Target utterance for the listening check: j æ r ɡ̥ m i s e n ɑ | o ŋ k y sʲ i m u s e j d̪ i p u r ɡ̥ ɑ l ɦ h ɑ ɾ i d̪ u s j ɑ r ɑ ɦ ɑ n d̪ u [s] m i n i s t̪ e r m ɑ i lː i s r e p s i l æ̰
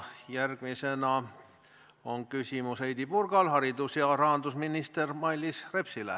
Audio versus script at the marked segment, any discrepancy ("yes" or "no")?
no